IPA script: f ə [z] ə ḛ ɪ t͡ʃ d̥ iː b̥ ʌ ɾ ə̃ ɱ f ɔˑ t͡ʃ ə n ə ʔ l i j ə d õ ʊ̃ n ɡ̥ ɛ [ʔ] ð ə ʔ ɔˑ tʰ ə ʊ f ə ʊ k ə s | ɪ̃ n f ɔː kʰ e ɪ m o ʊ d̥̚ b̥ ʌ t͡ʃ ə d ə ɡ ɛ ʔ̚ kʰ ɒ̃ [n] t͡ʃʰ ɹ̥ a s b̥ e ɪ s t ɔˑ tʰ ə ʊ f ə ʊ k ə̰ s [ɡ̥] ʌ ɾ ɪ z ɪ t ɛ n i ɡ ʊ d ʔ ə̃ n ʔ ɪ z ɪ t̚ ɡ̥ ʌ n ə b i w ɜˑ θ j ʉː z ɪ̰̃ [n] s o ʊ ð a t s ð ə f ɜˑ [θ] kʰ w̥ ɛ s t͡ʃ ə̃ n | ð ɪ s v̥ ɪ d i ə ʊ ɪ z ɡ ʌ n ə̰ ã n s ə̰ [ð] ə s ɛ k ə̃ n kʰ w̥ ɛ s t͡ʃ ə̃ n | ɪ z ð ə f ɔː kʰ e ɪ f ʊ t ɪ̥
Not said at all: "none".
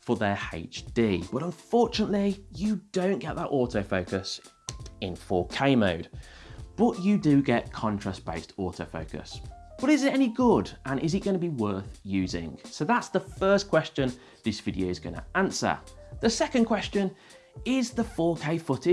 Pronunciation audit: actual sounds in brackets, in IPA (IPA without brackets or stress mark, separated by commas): ð, ʔ, n, b̥, ŋ, s, ð